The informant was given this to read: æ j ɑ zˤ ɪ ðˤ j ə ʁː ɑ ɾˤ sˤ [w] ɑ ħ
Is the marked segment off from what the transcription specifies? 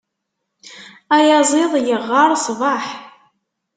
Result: yes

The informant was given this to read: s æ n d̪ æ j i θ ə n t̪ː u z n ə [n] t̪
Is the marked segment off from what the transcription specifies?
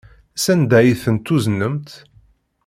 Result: yes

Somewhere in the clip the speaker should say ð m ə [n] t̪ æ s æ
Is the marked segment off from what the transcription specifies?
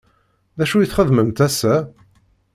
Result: yes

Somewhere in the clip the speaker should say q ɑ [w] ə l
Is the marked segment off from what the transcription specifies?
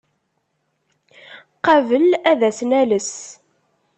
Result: yes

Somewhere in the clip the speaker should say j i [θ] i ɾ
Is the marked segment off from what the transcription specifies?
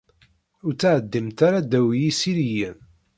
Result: yes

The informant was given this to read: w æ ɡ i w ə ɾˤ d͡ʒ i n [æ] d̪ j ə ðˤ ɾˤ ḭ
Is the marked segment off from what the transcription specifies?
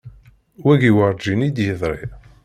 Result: yes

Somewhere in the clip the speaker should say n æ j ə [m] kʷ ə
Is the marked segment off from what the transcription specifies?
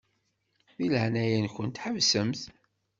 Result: yes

